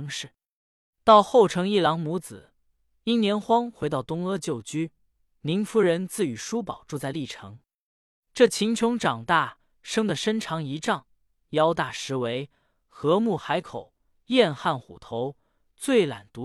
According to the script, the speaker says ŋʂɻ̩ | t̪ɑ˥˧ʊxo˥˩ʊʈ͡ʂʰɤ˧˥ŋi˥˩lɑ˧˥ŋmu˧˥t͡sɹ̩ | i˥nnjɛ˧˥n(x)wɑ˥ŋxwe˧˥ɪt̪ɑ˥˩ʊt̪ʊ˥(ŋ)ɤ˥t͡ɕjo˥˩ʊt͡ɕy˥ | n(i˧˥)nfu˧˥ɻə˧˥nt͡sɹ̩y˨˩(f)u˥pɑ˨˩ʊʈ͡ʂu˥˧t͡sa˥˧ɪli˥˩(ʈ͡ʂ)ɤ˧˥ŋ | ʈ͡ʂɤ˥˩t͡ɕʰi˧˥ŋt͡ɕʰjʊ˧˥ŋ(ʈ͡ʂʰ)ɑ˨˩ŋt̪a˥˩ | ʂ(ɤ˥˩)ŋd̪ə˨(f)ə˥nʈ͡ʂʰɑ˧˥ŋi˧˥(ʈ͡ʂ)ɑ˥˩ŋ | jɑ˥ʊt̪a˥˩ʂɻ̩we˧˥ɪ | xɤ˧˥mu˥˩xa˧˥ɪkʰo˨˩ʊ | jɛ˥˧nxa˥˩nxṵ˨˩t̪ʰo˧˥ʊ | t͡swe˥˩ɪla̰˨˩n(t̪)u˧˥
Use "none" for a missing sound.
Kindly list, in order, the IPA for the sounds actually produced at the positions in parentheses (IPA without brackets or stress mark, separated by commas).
x, ŋ, i˧˥, ʂ, ʈ͡ʂʰ, ʈ͡ʂ, ɤ˥, ʂ, ʈ͡ʂ, t̪